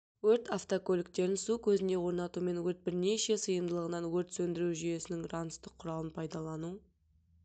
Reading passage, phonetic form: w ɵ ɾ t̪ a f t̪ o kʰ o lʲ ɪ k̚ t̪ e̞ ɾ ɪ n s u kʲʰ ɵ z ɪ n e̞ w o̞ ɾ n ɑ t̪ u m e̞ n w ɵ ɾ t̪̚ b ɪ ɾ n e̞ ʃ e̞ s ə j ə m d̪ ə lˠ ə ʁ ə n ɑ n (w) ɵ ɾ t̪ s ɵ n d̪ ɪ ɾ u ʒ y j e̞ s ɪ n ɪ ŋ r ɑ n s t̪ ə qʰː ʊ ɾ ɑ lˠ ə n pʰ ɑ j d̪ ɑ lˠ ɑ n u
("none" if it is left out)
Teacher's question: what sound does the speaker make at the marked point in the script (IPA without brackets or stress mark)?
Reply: w